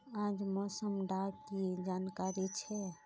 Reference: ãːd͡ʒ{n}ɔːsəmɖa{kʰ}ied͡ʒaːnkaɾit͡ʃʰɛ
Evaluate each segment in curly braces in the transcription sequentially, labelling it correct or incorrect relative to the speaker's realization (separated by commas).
incorrect, incorrect